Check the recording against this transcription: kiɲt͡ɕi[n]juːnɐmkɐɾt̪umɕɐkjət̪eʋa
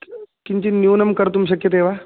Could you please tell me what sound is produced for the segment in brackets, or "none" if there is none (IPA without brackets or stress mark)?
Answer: n